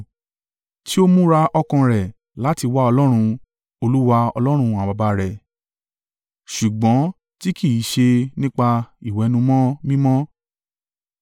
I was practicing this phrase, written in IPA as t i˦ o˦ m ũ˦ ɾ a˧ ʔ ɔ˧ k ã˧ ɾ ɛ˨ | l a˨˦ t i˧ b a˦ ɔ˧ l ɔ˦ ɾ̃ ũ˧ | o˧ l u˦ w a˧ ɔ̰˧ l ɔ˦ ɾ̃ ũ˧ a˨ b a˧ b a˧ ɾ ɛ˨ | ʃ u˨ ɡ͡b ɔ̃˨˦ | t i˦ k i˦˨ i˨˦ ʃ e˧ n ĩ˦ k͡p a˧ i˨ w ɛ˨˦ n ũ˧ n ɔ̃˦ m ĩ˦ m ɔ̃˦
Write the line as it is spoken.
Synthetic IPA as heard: t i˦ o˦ m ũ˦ ɾ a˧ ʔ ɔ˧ k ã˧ ɾ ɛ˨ | l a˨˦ t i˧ w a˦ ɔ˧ l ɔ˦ ɾ̃ ũ˧ | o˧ l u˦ w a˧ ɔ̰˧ l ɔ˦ ɾ̃ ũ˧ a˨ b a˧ b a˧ ɾ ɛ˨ | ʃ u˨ ɡ͡b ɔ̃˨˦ | t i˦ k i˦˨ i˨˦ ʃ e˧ n ĩ˦ k͡p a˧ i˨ w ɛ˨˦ n ũ˧ m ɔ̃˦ m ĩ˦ m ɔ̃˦